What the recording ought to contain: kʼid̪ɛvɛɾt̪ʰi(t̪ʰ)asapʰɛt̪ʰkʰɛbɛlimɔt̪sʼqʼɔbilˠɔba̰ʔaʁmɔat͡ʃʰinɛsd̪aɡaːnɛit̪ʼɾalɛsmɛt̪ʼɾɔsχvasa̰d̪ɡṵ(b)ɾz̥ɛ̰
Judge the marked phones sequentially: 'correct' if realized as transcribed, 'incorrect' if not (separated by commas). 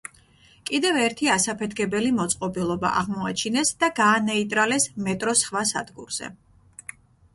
incorrect, incorrect